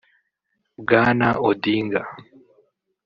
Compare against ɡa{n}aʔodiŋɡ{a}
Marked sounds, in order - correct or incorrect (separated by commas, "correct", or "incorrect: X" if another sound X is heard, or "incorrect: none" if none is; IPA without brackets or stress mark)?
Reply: correct, correct